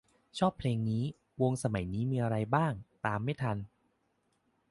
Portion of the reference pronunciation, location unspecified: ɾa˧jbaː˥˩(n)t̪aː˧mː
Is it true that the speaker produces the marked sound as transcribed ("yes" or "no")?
no